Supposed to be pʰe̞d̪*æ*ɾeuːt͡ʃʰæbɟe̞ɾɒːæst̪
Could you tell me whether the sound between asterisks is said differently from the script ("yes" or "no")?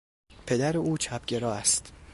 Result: no